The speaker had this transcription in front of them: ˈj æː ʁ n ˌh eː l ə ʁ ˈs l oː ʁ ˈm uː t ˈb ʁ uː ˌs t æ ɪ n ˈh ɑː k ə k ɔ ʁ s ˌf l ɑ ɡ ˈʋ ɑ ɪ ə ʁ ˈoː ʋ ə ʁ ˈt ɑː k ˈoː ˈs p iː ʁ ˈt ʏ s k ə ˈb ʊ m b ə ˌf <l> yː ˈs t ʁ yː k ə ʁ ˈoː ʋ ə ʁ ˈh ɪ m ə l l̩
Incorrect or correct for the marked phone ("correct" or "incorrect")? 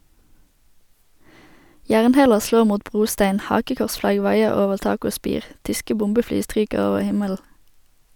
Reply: correct